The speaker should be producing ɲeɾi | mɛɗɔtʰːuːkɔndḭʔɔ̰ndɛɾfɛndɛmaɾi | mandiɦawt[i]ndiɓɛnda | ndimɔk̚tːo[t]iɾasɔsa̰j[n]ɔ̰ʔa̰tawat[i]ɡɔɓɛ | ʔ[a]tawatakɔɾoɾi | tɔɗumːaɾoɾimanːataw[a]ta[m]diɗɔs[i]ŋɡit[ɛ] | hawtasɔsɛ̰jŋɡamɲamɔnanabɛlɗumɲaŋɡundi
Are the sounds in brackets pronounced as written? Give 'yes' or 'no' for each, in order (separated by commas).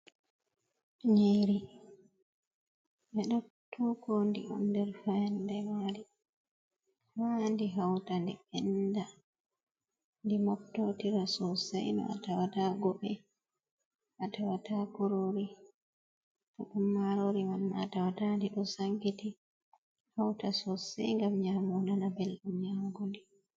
no, yes, yes, no, yes, yes, no, no, no